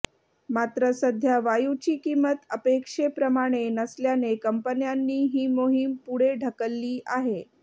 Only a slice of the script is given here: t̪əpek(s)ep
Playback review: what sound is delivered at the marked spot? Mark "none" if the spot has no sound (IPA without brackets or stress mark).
ʂ